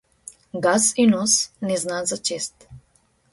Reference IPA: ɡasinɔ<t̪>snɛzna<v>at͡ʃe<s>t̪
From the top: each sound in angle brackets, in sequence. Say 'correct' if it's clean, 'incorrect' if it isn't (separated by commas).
incorrect, incorrect, correct